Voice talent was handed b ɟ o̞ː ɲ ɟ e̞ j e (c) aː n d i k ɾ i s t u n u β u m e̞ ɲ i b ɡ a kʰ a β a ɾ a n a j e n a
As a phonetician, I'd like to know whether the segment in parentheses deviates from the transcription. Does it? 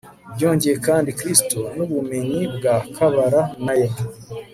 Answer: yes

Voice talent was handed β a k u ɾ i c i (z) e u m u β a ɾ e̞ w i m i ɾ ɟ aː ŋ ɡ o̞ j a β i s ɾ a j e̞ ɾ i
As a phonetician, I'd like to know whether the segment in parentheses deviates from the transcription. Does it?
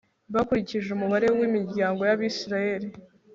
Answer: yes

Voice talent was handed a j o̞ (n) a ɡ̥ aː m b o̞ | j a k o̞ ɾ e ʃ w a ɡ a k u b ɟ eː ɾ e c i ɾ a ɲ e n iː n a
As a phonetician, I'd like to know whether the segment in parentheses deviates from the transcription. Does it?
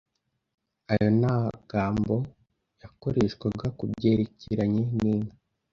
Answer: no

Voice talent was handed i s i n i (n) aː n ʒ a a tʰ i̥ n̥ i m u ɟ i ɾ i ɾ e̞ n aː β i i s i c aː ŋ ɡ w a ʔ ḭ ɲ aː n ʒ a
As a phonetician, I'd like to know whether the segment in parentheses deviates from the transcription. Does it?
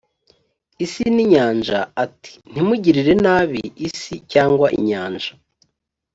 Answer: yes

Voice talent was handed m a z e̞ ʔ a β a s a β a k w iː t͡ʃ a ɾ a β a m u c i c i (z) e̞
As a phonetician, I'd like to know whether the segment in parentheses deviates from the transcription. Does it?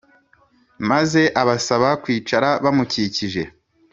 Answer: yes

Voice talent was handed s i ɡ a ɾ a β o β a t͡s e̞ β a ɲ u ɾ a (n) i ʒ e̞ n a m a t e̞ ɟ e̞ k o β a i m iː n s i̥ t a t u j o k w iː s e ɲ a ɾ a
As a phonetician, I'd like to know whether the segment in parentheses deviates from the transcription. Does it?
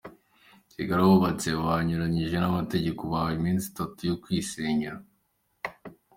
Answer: yes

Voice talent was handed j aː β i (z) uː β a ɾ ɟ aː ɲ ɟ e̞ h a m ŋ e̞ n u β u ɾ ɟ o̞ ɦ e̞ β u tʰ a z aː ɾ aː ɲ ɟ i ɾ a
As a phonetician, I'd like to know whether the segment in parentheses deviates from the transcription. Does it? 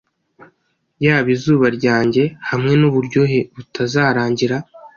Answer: no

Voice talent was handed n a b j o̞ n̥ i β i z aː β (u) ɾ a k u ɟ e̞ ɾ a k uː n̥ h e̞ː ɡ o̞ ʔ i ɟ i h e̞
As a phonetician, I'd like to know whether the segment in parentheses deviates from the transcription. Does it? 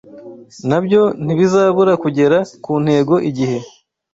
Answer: no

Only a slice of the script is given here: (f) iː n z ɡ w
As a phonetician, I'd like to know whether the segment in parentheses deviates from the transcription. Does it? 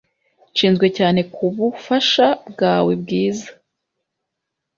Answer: yes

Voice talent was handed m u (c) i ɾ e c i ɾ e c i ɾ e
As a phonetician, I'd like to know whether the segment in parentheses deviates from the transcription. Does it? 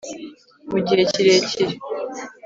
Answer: yes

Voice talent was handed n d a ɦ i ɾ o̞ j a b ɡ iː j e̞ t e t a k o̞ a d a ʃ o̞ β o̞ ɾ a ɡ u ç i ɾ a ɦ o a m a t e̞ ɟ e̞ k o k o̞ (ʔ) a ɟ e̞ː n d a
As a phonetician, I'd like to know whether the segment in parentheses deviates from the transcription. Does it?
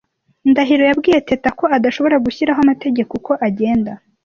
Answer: no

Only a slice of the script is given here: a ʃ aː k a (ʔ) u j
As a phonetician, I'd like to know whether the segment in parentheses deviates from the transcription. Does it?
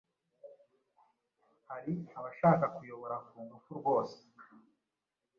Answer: yes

